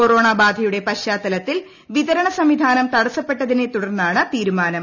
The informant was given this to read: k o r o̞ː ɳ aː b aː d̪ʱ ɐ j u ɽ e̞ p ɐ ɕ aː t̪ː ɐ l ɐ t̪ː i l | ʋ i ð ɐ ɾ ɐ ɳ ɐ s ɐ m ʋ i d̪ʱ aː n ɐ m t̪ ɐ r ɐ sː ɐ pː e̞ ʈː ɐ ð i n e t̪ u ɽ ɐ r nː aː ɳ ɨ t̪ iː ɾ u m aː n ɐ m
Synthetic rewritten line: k o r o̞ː ɳ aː b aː d̪ʱ ɐ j u ɽ e̞ p ɐ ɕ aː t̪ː ɐ l ɐ t̪ː i l | ʋ i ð ɐ ɾ ɐ ɳ ɐ s ɐ m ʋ i d̪ʱ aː n ɐ m t̪ ɐ ɽ ɐ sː ɐ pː e̞ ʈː ɐ ð i n e t̪ u ɽ ɐ r nː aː ɳ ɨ t̪ iː ɾ u m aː n ɐ m